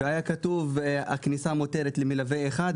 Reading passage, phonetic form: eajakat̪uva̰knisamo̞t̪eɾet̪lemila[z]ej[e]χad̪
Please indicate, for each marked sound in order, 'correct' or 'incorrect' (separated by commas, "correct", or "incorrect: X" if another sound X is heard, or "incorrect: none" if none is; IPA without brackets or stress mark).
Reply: incorrect: v, correct